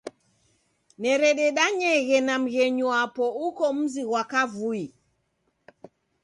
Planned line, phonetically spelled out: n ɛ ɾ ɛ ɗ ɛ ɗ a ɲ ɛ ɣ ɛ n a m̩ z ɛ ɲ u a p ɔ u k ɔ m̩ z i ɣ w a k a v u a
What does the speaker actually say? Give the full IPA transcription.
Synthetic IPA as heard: n ɛ ɾ ɛ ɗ ɛ ɗ a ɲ ɛ ɣ ɛ n a m̩ ɣ ɛ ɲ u a p ɔ u k ɔ m̩ z i ɣ w a k a v u i